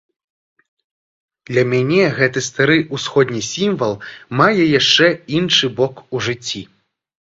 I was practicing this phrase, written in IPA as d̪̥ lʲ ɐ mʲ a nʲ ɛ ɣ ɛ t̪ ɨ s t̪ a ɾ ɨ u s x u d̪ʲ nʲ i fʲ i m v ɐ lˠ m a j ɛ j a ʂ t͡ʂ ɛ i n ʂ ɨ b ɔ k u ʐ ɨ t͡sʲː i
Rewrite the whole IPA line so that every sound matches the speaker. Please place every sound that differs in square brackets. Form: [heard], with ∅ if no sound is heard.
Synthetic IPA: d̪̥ lʲ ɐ mʲ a nʲ ɛ ɣ ɛ t̪ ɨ s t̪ a ɾ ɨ u s x [ɔ] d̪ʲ nʲ i [sʲ] i m v ɐ lˠ m a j ɛ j a ʂ t͡ʂ ɛ i n ʂ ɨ b ɔ k u ʐ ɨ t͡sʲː i

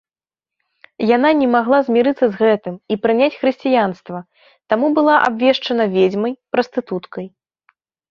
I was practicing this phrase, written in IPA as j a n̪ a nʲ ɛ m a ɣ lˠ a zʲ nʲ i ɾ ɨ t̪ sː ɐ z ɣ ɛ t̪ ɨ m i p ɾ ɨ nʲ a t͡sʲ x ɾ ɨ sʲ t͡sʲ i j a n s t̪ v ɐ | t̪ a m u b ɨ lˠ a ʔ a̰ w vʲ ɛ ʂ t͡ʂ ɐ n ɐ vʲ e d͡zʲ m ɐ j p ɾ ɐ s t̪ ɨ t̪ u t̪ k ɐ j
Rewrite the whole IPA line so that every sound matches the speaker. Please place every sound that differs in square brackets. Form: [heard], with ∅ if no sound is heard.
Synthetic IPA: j a n̪ a nʲ ɛ m a ɣ lˠ a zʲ [mʲ] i ɾ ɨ t̪ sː ɐ z ɣ ɛ t̪ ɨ m i p ɾ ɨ nʲ a t͡sʲ x ɾ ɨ sʲ t͡sʲ i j a n s t̪ v ɐ | t̪ a m u b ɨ lˠ a ʔ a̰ [b] vʲ ɛ ʂ t͡ʂ ɐ n ɐ vʲ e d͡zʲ m ɐ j p ɾ ɐ s t̪ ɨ t̪ u t̪ k ɐ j

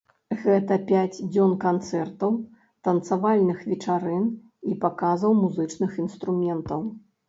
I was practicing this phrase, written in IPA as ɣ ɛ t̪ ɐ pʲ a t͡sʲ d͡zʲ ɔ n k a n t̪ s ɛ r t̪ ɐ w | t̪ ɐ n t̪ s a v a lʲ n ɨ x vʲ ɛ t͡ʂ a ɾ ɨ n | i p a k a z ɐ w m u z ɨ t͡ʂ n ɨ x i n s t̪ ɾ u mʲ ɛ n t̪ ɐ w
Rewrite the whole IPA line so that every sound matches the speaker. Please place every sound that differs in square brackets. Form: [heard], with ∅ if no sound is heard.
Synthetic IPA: ɣ ɛ t̪ ɐ pʲ a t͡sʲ d͡zʲ ɔ n k a n t̪ s ɛ r t̪ ɐ w | t̪ ɐ n t̪ s a v a lʲ n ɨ x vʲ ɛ t͡ʂ a ɾ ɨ n | i p a k a z ɐ w m u z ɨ t͡ʂ n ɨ x i n s t̪ ɾ u mʲ ɛ n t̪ ɐ w

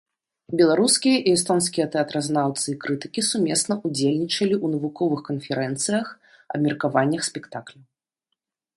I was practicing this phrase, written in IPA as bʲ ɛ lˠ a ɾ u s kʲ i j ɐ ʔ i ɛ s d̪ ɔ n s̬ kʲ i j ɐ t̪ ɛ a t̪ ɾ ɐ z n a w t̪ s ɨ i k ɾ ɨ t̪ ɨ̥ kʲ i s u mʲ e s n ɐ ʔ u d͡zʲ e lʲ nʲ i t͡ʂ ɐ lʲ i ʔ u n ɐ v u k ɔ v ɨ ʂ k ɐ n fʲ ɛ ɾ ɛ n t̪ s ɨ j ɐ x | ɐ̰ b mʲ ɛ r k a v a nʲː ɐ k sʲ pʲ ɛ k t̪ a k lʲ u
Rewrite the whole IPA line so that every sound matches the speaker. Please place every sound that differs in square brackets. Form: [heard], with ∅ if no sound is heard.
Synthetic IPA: bʲ ɛ lˠ a ɾ u s kʲ i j ɐ ʔ i ɛ s [t̪] ɔ n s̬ kʲ i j ɐ t̪ ɛ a t̪ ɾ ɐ z n a w t̪ s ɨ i k ɾ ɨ t̪ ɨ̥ kʲ i s u mʲ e s n ɐ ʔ u d͡zʲ e lʲ nʲ i t͡ʂ ɐ lʲ i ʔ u n ɐ v u k ɔ v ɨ [x] k ɐ n fʲ ɛ ɾ ɛ n t̪ s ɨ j ɐ x | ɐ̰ b mʲ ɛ r k a v a nʲː ɐ [x] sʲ pʲ ɛ k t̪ a k lʲ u

